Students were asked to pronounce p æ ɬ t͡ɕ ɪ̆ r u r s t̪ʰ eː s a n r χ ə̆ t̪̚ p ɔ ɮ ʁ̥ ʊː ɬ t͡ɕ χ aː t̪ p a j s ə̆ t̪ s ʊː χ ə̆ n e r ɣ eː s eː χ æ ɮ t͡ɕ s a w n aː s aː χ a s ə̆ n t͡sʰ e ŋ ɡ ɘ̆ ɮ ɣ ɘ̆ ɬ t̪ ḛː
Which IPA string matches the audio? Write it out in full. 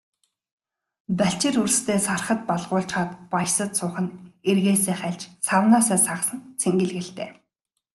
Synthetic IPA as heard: p æ ɬ t͡ɕ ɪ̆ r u r s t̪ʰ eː s a r χ ə̆ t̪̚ p ɔ ɮ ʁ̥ ʊː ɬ t͡ɕ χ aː t̪ p a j s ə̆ t̪ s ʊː χ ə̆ n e r ɣ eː s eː χ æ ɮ t͡ɕ s a w n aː s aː s a s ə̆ n t͡sʰ e ŋ ɡ ɘ̆ ɮ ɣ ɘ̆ ɬ t̪ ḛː